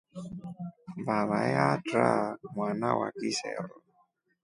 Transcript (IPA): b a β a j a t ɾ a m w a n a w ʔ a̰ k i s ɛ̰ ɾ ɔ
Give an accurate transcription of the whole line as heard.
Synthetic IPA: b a β a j a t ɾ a m w a n a w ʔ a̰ k i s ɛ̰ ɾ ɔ